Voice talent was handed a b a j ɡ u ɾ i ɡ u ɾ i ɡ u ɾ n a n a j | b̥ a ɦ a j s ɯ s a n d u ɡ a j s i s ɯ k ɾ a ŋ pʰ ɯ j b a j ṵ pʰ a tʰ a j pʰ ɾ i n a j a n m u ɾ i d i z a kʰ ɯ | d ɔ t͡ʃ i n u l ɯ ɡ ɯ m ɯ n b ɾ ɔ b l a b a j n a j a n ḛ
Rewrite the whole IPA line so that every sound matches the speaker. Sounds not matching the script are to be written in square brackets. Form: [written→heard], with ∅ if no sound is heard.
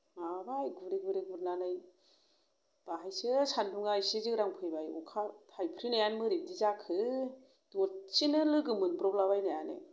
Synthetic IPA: a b a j ɡ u ɾ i ɡ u ɾ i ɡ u ɾ n a n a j | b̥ a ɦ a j s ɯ s a n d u [ɡ→ŋ] a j s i [s→z] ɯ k ɾ a ŋ pʰ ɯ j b a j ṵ [pʰ→kʰ] a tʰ a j pʰ ɾ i n a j a n m [u→ɯ] ɾ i d i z a kʰ ɯ | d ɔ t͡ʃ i n [u→ɯ] l ɯ ɡ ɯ m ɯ n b ɾ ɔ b l a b a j n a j a n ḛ